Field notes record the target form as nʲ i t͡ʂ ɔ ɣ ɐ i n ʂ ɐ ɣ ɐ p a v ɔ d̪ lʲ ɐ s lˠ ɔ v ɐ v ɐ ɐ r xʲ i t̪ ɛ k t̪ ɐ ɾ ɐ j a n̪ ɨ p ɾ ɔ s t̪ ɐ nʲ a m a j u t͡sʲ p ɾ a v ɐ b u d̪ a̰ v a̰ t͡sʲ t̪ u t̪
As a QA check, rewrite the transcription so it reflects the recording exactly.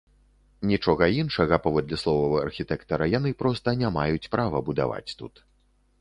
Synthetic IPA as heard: nʲ i t͡ʂ ɔ ɣ ɐ i n ʂ ɐ ɣ ɐ p a v ɔ d̪ lʲ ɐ s lˠ ɔ v ɐ v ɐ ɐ r xʲ i t̪ ɛ k t̪ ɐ ɾ ɐ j a n̪ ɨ p ɾ ɔ s t̪ ɐ nʲ a m a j u t͡sʲ p ɾ a v ɐ b u d̪ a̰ v a̰ t͡sʲ t̪ u t̪